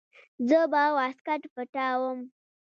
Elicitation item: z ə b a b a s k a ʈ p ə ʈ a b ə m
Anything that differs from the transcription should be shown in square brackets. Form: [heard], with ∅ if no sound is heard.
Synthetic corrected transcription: z ə b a [w] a s k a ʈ p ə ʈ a [w] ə m